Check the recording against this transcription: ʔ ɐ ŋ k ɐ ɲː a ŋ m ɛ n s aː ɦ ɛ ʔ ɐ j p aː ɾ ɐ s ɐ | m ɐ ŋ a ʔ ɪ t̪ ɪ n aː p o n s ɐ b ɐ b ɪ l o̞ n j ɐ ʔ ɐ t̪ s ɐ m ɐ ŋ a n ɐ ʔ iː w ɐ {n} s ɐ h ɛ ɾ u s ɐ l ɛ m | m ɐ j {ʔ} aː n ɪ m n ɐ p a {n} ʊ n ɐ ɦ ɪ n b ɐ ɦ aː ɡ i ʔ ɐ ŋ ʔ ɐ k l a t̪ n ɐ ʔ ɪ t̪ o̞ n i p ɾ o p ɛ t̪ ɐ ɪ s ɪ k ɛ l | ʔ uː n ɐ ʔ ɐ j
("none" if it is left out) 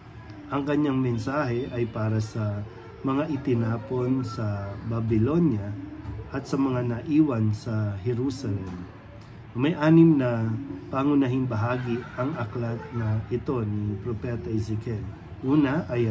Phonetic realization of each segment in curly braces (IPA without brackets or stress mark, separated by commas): n, ʔ, ŋ